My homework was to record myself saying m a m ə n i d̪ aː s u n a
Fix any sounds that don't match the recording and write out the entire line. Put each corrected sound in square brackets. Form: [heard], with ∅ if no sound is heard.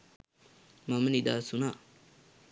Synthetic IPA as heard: m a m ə n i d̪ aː s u n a